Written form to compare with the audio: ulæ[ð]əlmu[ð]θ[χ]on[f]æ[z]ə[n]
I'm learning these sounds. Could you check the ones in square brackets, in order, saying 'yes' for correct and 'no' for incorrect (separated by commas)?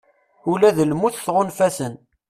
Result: yes, no, no, yes, no, yes